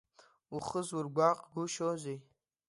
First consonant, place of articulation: uvular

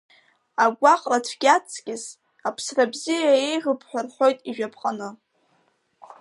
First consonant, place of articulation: velar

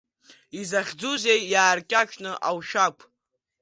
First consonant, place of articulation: alveolar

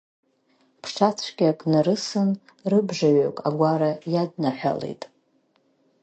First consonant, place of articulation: labial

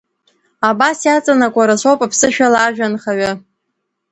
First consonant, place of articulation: labial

